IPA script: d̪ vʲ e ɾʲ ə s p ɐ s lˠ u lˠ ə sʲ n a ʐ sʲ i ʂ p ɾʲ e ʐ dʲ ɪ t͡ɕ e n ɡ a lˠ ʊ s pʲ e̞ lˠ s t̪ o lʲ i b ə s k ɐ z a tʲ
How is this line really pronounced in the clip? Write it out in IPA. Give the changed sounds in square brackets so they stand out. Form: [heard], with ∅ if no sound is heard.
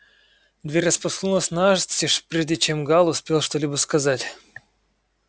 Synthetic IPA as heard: d̪ vʲ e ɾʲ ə s p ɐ s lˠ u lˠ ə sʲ n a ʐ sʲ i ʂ p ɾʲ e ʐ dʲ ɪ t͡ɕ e [m] ɡ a lˠ ʊ s pʲ e̞ lˠ [ʂ] t̪ o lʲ i b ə s k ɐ z a tʲ